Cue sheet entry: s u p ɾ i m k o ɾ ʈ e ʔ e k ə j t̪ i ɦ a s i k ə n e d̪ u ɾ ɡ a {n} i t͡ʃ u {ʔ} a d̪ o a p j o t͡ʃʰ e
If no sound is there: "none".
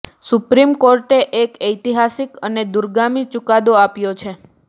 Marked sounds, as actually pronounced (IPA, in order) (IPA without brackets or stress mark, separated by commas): m, k